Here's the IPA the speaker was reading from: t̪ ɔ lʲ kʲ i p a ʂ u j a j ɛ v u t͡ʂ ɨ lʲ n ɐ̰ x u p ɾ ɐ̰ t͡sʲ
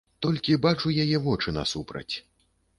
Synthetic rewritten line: t̪ ɔ lʲ kʲ i b a t͡ʂ u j a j ɛ v ɔ t͡ʂ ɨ n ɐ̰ s u p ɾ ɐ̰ t͡sʲ